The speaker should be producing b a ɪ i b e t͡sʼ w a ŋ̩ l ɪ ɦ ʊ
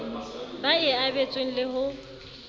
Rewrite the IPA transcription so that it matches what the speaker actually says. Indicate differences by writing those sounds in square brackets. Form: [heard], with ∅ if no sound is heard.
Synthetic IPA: b a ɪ [a] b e t͡sʼ w [e] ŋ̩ l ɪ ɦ ʊ